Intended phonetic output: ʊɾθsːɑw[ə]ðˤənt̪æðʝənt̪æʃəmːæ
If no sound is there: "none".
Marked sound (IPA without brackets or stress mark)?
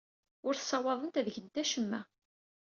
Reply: ɑ